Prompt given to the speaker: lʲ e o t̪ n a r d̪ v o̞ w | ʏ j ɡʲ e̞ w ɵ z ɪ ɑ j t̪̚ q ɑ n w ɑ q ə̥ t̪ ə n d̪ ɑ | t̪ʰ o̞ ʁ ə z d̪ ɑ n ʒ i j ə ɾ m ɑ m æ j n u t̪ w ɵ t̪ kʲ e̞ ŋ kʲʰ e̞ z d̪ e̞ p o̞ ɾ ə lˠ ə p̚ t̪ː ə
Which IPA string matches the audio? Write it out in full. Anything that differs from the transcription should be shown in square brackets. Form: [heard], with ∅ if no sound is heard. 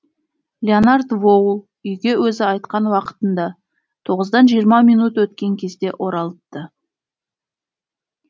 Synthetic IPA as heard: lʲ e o [∅] n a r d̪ v o̞ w | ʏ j ɡʲ e̞ w ɵ z ɪ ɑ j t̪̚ q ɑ n w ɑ q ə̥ t̪ ə n d̪ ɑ | t̪ʰ o̞ ʁ ə z d̪ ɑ n ʒ i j ə ɾ m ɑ m [i] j n u t̪ w ɵ t̪ kʲ e̞ ŋ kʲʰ e̞ z d̪ e̞ [ʔ] o̞ ɾ [ɑ] lˠ ə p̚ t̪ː ə